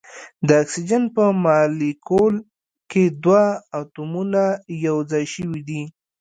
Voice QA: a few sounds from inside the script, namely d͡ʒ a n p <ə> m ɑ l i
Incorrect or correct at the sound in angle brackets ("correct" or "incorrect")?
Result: correct